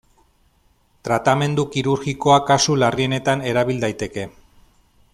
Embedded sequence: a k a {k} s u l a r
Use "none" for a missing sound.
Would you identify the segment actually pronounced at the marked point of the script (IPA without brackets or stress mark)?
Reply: none